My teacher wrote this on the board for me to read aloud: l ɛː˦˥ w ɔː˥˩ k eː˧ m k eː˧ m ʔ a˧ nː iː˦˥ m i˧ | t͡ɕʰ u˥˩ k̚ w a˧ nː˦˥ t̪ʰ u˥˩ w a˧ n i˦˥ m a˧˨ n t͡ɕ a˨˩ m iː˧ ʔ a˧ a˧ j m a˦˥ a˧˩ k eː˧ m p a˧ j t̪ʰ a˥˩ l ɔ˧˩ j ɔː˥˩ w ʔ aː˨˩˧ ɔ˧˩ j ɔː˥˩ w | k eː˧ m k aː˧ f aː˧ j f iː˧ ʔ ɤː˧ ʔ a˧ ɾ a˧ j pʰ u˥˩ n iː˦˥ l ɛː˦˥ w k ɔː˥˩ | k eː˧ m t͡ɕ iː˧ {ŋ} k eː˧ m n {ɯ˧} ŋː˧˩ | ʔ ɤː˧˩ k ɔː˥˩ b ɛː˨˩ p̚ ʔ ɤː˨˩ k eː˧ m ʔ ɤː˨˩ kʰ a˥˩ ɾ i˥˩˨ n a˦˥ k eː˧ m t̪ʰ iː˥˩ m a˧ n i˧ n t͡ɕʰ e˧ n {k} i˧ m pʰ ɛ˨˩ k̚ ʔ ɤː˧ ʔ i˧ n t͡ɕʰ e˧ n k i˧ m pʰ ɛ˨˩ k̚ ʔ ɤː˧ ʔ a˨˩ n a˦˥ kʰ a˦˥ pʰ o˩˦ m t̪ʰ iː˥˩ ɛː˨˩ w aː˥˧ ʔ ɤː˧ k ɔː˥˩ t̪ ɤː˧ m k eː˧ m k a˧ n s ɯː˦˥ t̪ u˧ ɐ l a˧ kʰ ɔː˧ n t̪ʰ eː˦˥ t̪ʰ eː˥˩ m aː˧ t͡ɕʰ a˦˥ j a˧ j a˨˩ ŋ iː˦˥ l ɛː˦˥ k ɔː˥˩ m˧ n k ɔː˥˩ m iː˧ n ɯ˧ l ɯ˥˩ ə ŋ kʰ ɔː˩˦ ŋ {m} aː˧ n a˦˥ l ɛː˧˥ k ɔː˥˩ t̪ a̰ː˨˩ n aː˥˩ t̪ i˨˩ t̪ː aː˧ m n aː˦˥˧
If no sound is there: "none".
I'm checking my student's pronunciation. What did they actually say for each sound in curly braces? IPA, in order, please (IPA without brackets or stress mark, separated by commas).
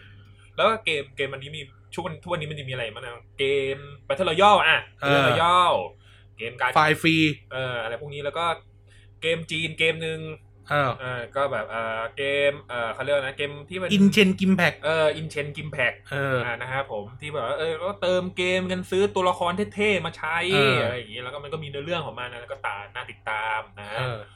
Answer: n, ɯ˧, k, m